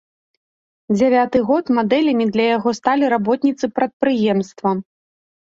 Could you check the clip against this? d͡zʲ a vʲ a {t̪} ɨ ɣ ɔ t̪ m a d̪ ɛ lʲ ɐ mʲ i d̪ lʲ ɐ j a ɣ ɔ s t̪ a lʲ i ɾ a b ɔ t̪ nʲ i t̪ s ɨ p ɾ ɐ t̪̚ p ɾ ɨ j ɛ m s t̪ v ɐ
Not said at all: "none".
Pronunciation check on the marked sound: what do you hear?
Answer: t̪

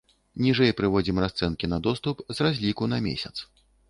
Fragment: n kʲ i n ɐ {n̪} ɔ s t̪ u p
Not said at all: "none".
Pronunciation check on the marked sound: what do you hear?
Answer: d̪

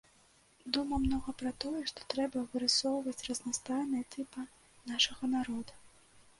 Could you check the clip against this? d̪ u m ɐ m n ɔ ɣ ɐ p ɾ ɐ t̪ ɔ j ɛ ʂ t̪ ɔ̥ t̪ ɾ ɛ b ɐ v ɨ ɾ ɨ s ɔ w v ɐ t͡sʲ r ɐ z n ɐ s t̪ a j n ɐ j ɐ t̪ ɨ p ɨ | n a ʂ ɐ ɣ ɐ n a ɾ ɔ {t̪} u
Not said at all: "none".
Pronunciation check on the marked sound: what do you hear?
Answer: d̪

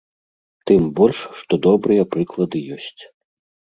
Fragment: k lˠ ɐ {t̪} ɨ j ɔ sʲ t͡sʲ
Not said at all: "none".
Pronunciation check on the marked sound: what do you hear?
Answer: d̪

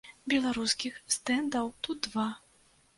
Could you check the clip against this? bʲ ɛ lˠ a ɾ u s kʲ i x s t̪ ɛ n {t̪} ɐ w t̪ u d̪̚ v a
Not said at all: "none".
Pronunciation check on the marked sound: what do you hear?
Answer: d̪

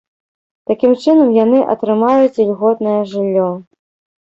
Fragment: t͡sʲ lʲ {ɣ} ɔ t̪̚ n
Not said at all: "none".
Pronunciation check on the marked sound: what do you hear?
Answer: ɣ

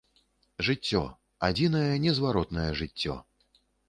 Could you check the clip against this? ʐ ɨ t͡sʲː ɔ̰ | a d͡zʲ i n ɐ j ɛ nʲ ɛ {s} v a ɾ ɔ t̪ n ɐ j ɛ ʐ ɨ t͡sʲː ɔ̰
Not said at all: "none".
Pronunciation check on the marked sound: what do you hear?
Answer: z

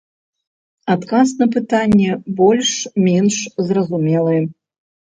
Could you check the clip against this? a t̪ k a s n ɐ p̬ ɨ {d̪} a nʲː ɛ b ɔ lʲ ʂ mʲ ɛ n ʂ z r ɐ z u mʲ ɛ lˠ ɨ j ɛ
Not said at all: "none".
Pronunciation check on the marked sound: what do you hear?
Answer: t̪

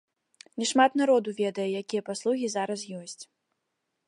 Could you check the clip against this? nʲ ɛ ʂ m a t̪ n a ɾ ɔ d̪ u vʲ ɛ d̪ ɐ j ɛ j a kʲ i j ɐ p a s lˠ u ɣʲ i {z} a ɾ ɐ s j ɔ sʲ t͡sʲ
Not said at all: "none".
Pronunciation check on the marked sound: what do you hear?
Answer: z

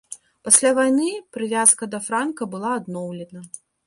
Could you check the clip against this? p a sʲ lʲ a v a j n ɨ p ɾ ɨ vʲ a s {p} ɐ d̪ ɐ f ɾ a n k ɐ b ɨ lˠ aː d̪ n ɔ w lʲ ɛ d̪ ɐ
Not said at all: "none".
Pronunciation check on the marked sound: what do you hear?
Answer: k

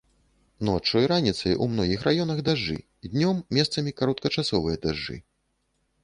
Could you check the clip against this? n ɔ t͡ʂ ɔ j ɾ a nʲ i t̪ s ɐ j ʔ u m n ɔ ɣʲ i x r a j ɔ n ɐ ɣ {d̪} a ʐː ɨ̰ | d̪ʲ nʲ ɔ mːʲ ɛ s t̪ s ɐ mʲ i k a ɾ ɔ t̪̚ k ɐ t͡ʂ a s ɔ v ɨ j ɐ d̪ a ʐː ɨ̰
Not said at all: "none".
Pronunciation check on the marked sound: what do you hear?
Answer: d̪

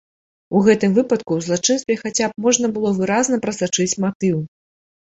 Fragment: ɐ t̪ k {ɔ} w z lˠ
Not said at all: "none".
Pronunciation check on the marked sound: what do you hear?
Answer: u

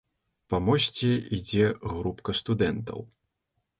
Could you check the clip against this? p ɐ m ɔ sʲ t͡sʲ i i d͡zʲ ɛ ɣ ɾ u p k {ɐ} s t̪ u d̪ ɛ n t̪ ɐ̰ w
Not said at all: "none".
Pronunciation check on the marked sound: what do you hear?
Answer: ɐ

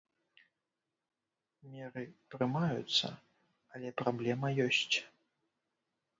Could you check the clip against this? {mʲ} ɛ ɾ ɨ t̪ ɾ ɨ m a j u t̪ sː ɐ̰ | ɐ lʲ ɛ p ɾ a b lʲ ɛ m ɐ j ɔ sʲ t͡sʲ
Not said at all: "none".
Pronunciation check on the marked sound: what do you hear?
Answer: mʲ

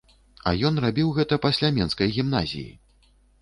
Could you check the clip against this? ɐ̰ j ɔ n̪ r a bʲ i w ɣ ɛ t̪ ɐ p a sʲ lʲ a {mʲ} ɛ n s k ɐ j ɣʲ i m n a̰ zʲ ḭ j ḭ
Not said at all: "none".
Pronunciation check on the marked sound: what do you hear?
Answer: mʲ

